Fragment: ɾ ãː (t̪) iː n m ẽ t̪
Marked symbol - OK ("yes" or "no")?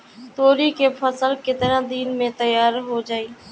no